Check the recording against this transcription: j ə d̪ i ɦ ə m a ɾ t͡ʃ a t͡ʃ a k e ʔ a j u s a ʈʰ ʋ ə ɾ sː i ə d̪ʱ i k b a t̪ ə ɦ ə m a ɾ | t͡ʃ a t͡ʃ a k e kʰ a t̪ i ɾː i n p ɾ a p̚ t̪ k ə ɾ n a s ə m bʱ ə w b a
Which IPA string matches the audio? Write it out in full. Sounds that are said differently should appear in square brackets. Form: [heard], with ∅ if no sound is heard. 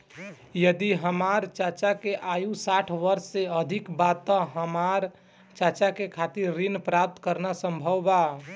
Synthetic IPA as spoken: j ə d̪ i ɦ ə m a ɾ t͡ʃ a t͡ʃ a k e ʔ a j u s a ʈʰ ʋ ə ɾ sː [e] ə d̪ʱ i k b a t̪ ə ɦ ə m a ɾ | t͡ʃ a t͡ʃ a k e kʰ a t̪ i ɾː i n p ɾ a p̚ t̪ k ə ɾ n a s ə m bʱ ə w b a